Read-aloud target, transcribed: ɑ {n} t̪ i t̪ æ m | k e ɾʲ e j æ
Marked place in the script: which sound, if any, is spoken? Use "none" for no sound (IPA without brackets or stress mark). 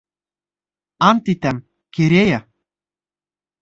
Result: n